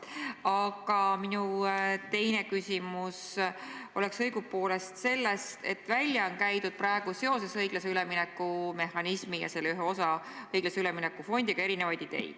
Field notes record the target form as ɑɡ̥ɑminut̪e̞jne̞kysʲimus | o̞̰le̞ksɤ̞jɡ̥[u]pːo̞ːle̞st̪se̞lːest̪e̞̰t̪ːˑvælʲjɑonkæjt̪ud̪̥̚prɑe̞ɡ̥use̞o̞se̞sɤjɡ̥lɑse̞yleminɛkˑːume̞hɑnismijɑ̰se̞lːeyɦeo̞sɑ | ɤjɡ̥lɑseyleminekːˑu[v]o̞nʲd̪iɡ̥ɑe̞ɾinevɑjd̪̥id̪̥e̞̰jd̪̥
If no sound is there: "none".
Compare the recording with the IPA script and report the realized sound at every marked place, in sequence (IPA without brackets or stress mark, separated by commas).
u, f